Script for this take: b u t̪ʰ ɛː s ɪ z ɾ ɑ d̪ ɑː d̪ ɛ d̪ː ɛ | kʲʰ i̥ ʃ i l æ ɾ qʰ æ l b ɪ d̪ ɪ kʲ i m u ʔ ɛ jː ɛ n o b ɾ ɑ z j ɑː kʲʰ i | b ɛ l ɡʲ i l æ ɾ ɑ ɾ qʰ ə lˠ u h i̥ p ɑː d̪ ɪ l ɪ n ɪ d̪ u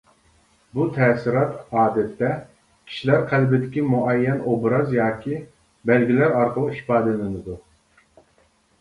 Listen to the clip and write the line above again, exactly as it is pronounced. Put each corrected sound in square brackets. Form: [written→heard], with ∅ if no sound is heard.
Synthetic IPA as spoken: b u t̪ʰ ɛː s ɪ [z→∅] ɾ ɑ [d̪→t̪] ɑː d̪ ɛ [d̪ː→t̪ː] ɛ | kʲʰ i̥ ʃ i l æ ɾ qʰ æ l b ɪ d̪ ɪ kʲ i m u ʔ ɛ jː ɛ n o b ɾ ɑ z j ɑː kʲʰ i | b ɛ l ɡʲ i l æ ɾ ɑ ɾ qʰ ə lˠ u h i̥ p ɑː d̪ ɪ l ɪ n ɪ d̪ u

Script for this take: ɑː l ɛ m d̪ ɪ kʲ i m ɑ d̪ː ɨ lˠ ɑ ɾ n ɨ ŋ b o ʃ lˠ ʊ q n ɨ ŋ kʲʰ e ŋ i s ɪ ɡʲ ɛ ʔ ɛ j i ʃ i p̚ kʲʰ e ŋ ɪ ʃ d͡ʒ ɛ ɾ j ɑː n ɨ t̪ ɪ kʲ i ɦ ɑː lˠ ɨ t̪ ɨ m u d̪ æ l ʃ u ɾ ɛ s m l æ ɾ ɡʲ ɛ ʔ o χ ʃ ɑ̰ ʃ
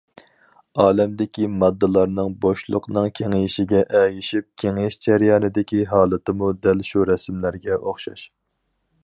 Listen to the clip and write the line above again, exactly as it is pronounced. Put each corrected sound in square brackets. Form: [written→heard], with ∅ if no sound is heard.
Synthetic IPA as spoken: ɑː l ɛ m d̪ ɪ kʲ i m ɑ d̪ː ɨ lˠ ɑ ɾ n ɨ ŋ b o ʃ lˠ ʊ q n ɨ ŋ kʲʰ e ŋ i [s→ʃ] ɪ ɡʲ ɛ ʔ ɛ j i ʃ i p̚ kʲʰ e ŋ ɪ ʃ d͡ʒ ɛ ɾ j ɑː n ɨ [t̪→d̪] ɪ kʲ i ɦ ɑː lˠ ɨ t̪ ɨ m u d̪ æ l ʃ u ɾ ɛ s m l æ ɾ ɡʲ ɛ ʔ o χ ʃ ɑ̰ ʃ

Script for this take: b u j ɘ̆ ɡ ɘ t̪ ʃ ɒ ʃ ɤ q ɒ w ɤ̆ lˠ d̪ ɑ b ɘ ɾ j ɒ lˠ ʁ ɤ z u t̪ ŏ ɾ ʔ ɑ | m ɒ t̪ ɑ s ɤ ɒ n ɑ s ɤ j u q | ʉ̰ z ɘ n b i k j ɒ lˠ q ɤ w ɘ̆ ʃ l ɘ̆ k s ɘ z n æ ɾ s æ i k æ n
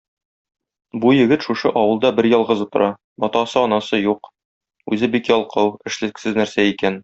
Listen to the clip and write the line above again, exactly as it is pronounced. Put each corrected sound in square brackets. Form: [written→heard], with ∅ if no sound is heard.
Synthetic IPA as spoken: b u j ɘ̆ ɡ ɘ t̪ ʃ [ɒ→u] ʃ ɤ [q→ʔ] ɒ w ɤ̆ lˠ d̪ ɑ b ɘ ɾ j ɒ lˠ ʁ ɤ z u t̪ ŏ ɾ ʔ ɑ | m ɒ t̪ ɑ s ɤ ɒ n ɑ s ɤ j u q | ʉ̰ z ɘ [n→∅] b i k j ɒ lˠ q ɤ w ɘ̆ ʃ l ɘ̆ k s ɘ z n æ ɾ s æ i k æ n

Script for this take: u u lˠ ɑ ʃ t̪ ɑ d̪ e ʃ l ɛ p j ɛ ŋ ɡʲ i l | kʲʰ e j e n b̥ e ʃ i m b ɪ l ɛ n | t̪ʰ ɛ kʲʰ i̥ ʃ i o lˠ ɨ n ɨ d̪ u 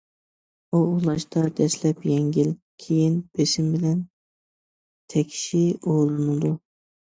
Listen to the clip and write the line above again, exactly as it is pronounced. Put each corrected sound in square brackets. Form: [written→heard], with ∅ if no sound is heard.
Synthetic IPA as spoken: u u lˠ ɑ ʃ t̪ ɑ d̪ [e→ɛ] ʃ l ɛ p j ɛ ŋ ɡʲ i l | kʲʰ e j [e→i] n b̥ e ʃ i m b ɪ l ɛ n | t̪ʰ ɛ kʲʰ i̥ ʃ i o lˠ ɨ n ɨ d̪ u

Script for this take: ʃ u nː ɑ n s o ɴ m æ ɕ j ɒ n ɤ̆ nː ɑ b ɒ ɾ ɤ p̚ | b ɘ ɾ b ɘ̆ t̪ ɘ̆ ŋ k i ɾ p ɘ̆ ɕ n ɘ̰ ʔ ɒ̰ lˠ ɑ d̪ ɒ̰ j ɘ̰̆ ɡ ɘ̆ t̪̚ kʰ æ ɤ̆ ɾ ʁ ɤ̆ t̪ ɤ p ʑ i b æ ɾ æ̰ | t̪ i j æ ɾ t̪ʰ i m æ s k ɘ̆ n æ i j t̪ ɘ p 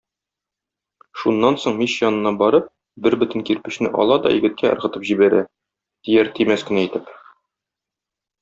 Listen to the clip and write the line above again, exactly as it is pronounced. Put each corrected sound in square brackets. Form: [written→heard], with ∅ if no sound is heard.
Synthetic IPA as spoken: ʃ u nː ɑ n s o ɴ m [æ→i] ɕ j ɒ n ɤ̆ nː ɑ b ɒ ɾ ɤ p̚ | b ɘ ɾ b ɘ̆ t̪ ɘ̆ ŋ k i ɾ p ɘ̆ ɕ n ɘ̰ ʔ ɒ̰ lˠ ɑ d̪ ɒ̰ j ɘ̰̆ ɡ ɘ̆ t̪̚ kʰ æ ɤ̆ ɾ ʁ ɤ̆ t̪ ɤ p ʑ i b æ ɾ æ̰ | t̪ i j æ ɾ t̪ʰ i m æ s k ɘ̆ n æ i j t̪ ɘ p

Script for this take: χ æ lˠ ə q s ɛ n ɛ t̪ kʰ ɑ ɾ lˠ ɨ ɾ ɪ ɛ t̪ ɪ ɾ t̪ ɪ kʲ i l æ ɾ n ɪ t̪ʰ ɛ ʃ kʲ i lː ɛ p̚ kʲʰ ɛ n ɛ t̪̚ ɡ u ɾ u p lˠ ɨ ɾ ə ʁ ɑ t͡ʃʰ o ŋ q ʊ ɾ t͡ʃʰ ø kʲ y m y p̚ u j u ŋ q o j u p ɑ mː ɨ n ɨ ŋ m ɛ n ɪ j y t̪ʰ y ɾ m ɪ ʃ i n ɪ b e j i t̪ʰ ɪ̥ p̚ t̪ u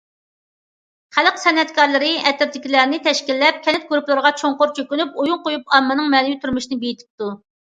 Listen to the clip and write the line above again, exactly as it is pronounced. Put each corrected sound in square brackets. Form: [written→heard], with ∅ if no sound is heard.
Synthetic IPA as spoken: χ æ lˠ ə q s ɛ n ɛ t̪ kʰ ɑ ɾ lˠ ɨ ɾ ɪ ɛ t̪ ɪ ɾ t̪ ɪ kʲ i l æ ɾ n ɪ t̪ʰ ɛ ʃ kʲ i lː ɛ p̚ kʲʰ ɛ n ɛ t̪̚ ɡ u ɾ u p lˠ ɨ ɾ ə ʁ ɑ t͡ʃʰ o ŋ q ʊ ɾ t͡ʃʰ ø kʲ y [m→n] y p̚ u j u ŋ q o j u p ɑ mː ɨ n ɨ ŋ m ɛ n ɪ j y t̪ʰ y ɾ m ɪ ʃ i n ɪ b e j i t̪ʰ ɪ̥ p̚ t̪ u

